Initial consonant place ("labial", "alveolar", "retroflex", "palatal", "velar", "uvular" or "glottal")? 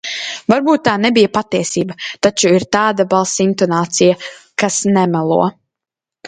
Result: labial